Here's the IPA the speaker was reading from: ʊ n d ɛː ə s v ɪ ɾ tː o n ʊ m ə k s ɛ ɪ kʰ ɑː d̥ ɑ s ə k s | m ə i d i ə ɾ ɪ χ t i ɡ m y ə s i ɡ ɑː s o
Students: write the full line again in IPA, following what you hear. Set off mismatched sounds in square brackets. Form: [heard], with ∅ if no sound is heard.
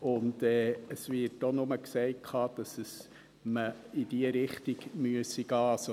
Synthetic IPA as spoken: ʊ n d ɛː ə s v ɪ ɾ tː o n ʊ m ə k s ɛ ɪ kʰ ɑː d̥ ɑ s ə [∅] s | m ə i d i ə ɾ ɪ χ t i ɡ m y ə s i ɡ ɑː s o